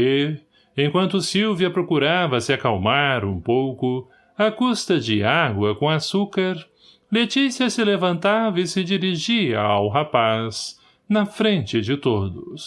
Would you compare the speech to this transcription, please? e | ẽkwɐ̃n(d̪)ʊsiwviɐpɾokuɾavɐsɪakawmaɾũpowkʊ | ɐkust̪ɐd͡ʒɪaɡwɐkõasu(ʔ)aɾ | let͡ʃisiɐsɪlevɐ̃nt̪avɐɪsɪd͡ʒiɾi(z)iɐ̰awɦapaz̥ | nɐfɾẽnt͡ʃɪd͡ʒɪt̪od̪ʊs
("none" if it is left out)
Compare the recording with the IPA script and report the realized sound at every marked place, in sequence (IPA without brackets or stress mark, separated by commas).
t̪, k, ʒ